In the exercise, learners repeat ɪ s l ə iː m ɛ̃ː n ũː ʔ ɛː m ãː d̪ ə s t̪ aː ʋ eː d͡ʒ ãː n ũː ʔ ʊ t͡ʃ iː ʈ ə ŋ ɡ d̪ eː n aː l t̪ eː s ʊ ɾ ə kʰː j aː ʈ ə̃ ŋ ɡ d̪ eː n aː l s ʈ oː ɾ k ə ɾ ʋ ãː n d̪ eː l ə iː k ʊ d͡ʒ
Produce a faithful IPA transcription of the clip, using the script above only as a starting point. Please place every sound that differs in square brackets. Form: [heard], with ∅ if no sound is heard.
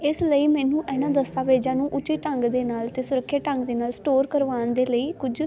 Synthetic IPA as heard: ɪ s l ə iː m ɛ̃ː n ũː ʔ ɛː [n] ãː d̪ ə s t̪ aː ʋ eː d͡ʒ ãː n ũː ʔ ʊ t͡ʃ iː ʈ ə ŋ ɡ d̪ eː n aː l t̪ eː s ʊ ɾ ə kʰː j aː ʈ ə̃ ŋ ɡ d̪ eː n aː l s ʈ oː ɾ k ə ɾ ʋ [aː] n d̪ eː l ə iː k ʊ d͡ʒ